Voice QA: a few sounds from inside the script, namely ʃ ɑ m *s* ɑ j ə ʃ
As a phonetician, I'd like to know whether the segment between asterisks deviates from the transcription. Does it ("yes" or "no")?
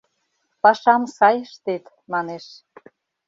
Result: no